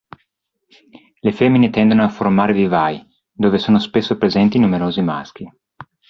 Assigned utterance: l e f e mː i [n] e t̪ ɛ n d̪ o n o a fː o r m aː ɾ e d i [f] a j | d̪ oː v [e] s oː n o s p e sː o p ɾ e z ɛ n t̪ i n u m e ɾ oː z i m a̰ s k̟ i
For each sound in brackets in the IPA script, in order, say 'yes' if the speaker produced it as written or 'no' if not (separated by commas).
yes, no, yes